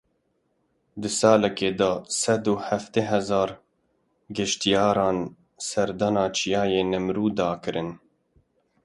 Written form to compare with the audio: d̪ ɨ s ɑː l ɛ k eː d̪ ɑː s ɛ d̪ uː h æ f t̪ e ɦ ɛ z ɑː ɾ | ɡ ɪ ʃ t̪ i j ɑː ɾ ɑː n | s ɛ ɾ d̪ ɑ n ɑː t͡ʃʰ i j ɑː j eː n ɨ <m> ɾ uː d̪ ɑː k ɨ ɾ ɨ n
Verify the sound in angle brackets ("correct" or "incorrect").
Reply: correct